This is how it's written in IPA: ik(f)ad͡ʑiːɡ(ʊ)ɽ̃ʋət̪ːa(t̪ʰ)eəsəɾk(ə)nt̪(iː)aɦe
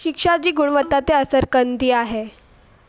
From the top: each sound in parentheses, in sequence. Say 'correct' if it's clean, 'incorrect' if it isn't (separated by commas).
incorrect, incorrect, incorrect, correct, correct